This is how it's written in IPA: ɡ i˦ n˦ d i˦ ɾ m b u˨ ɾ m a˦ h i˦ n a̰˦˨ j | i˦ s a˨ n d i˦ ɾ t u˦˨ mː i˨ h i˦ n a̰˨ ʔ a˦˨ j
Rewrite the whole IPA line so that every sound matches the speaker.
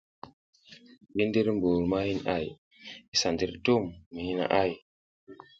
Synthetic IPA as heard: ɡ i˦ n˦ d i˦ ɾ m b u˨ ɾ m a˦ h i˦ n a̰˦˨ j | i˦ s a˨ n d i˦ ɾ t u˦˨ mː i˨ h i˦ n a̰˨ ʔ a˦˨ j